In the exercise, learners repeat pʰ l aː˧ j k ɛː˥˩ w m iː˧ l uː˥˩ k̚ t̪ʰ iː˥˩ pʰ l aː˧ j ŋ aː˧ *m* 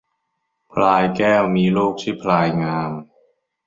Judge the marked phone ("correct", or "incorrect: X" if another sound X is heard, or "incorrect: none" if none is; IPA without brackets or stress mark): correct